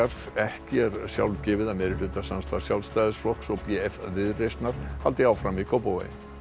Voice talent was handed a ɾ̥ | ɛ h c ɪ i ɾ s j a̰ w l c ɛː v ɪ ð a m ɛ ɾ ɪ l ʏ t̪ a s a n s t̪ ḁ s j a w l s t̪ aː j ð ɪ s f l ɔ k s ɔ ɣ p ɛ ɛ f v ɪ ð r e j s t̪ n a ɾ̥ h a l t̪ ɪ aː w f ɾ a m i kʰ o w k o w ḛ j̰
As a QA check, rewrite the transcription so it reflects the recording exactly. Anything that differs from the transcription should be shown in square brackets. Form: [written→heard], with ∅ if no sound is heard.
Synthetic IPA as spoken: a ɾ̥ | ɛ h c ɪ [i→ɛ] ɾ s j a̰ w l c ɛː v ɪ ð a m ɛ ɾ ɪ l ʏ t̪ a s a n s t̪ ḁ s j a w l s t̪ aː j ð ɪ s f l ɔ k s ɔ ɣ p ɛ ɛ f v ɪ ð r e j s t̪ n a ɾ̥ h a l t̪ ɪ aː w f ɾ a m i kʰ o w [k→p] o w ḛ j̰